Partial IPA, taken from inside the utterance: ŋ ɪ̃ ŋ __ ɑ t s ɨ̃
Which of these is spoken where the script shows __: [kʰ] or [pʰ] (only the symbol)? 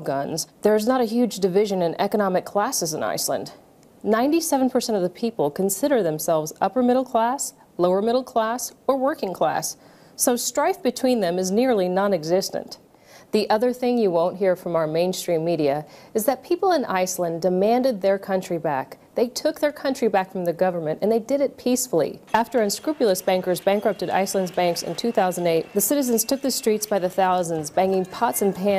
pʰ